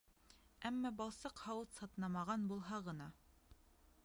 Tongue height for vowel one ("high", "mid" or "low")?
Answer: low